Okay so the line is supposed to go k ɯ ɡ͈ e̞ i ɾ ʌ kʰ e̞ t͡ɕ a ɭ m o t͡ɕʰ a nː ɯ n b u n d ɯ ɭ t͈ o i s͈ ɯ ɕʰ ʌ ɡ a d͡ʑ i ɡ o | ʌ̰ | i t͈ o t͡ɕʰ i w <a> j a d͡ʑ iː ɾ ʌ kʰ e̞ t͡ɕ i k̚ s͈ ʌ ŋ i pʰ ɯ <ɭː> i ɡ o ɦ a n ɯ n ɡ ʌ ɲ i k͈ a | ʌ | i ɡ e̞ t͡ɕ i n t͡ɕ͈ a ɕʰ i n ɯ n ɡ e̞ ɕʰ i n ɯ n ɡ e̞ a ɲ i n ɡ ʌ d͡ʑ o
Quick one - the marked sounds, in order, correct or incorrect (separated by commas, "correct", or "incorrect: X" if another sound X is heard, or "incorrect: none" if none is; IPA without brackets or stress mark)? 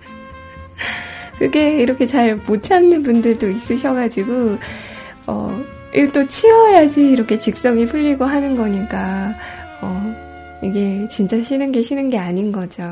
incorrect: ʌ, incorrect: ʎː